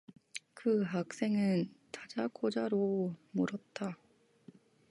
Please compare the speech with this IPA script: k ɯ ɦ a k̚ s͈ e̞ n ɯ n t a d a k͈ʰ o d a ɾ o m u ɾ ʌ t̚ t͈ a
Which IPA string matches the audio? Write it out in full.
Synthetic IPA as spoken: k ɯ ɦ a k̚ s͈ e̞ ŋ ɯ n t a d͡ʑ a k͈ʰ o d͡ʑ a ɾ o m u ɾ ʌ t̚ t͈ a